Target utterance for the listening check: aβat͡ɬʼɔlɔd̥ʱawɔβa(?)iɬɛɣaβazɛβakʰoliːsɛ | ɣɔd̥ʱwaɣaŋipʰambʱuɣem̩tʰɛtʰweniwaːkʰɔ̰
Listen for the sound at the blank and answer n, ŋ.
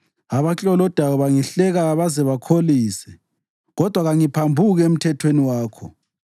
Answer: ŋ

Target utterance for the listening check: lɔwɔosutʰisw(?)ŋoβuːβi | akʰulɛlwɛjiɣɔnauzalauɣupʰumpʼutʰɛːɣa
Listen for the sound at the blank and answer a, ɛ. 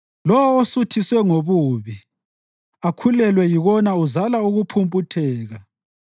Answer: ɛ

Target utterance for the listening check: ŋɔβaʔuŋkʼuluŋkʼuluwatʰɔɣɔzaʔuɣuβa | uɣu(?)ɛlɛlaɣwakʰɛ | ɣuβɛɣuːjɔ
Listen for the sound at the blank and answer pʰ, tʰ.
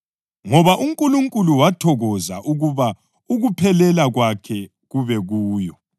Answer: pʰ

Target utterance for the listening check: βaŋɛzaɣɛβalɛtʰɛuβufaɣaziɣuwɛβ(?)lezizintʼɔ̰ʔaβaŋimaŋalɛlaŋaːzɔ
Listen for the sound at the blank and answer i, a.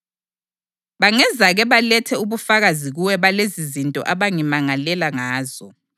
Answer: a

